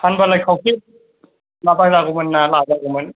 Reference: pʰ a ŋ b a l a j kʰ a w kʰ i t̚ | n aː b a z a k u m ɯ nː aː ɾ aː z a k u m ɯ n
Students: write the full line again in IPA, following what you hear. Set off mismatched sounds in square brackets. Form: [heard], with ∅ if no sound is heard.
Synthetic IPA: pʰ a [n] b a l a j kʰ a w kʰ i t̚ | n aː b a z a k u m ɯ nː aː [l] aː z a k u m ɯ n

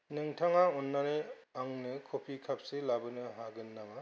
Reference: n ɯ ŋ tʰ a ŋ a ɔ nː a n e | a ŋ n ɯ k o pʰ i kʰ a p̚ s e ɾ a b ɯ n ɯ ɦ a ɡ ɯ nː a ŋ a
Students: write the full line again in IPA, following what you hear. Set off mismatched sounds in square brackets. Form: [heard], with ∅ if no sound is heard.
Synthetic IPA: n ɯ ŋ tʰ a ŋ a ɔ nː a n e | a ŋ n ɯ [kʰ] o pʰ i kʰ a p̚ s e [l] a b ɯ n ɯ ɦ a ɡ ɯ nː a ŋ a

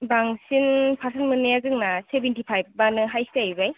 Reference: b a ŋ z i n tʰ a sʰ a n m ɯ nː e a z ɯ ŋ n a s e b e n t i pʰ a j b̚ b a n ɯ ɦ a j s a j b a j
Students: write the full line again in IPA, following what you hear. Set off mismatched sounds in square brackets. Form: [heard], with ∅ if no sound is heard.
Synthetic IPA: b a ŋ [s] i n [pʰ] a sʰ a n m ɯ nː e a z ɯ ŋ n a s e b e n t i pʰ a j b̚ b a n ɯ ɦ a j s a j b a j

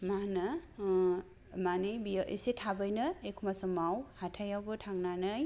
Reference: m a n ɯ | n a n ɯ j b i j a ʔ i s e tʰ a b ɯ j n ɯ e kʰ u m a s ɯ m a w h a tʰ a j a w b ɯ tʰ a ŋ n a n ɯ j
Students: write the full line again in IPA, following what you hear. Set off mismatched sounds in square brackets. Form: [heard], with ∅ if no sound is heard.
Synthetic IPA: m a n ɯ | [m] a n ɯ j b i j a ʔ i s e tʰ a b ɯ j n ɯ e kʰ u m a s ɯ m a w h a tʰ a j a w b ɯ tʰ a ŋ n a n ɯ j

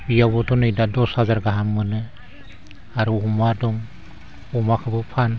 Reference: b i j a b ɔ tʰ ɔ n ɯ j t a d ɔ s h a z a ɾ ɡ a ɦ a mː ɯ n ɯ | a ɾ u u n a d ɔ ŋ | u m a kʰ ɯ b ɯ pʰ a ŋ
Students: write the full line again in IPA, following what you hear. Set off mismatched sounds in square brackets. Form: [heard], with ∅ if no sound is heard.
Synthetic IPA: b i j a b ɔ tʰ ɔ n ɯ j [d] a d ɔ s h a z a ɾ ɡ a ɦ a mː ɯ n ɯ | a ɾ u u [m] a d ɔ ŋ | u m a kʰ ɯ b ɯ pʰ a [n]

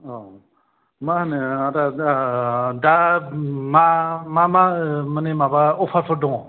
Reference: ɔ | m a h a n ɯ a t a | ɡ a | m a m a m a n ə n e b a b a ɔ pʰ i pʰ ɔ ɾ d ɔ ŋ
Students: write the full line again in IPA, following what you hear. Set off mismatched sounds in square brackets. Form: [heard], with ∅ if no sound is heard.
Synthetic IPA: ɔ | m a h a n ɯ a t a | [d] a | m a m a m a [m] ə n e [m] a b a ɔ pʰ [a] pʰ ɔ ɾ d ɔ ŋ

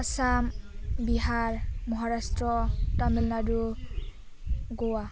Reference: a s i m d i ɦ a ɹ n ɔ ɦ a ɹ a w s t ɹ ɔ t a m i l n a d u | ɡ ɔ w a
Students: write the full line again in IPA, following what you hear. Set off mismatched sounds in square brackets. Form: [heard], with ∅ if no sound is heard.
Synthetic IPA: a s [a] m [b] i ɦ a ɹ [m] ɔ ɦ a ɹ a [∅] s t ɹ ɔ t a m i l n a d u | ɡ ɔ w a

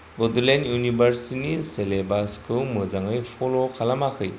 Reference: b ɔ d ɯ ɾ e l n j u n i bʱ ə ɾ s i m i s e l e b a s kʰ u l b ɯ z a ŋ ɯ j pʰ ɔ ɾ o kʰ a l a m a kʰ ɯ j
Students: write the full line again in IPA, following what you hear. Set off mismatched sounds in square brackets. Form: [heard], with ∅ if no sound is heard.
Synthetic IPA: b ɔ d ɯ [l] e [∅] n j u n i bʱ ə ɾ s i [n] i s e l e b a s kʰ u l [m] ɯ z a ŋ ɯ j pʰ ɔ [l] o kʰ a l a m a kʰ ɯ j

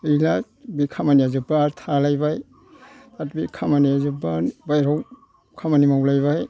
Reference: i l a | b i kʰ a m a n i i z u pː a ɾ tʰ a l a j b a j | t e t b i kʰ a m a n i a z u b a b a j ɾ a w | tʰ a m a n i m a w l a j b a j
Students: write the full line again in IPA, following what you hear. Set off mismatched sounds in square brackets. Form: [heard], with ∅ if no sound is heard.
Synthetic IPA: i l a | b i kʰ a m a n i [a] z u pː a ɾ tʰ a l a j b a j | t [a] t b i kʰ a m a n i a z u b a b a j ɾ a w | [kʰ] a m a n i m a w l a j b a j

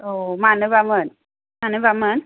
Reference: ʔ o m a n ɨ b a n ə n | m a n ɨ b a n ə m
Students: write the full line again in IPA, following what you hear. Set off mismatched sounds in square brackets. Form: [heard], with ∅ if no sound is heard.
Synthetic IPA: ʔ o m a n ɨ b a [m] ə n | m a n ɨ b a [m] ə [n]

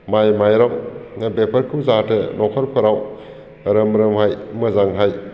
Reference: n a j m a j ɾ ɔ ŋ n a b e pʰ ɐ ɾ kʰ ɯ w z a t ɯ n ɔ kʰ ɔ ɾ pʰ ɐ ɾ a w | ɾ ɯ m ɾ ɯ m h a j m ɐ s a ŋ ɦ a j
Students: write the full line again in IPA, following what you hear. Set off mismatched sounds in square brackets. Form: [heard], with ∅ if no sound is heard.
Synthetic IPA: [m] a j m a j ɾ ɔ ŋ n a b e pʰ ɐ ɾ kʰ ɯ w z a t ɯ n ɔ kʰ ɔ ɾ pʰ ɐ ɾ a w | ɾ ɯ m ɾ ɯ m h a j m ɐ [z] a ŋ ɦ a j

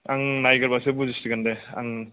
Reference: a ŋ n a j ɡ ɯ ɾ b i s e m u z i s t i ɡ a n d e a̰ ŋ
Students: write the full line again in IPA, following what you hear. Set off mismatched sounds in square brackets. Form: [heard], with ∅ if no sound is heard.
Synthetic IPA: a ŋ n a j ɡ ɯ ɾ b [a] s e [b] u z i s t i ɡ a n d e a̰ ŋ

